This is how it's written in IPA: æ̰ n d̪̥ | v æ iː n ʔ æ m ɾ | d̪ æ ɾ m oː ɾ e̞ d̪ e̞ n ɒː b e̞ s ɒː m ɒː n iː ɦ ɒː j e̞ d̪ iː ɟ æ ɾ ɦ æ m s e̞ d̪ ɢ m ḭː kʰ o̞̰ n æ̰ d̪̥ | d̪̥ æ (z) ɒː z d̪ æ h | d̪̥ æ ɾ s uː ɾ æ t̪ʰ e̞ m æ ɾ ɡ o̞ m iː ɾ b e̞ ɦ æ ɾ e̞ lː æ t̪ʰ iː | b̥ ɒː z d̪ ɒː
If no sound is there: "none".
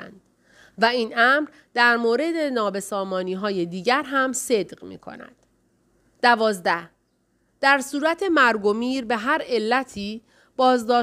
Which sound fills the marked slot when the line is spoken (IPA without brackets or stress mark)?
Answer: v